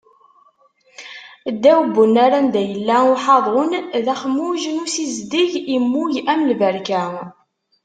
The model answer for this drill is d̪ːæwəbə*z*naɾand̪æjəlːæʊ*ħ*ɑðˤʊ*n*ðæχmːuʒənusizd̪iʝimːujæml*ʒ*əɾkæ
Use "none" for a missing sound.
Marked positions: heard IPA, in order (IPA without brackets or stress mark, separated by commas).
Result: none, ħ, n, v